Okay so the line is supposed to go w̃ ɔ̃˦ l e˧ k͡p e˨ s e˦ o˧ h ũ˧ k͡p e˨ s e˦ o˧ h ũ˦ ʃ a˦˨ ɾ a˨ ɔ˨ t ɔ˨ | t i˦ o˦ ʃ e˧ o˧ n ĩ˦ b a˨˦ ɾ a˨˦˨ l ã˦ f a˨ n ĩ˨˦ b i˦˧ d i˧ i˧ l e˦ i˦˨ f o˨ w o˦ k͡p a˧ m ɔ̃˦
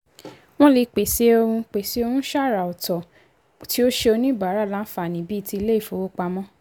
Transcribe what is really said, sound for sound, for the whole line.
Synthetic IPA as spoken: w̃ ɔ̃˦ l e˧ k͡p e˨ s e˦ o˧ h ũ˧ k͡p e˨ s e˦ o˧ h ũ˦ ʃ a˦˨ ɾ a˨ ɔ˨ t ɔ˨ | t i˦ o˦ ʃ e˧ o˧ n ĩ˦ b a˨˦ ɾ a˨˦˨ l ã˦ f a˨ n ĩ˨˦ b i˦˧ t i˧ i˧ l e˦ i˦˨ f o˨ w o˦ k͡p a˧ m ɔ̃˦